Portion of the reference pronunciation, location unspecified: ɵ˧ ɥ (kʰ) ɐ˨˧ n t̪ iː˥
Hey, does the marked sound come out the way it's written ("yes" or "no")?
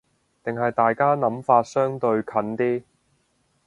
yes